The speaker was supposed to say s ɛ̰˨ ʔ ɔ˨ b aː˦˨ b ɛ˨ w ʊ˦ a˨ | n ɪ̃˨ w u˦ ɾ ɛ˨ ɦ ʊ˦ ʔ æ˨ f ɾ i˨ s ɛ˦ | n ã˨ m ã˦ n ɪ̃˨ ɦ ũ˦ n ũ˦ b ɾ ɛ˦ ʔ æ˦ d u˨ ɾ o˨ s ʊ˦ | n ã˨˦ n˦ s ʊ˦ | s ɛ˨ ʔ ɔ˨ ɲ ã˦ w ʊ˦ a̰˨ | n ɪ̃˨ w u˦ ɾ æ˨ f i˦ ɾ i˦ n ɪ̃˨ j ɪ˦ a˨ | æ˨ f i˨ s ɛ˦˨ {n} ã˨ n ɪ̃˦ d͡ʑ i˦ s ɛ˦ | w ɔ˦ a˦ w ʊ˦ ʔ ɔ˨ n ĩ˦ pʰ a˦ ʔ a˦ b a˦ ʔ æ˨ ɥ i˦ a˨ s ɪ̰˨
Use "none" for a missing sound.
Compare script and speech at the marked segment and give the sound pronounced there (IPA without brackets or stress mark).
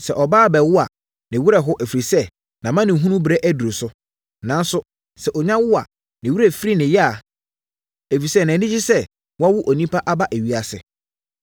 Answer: n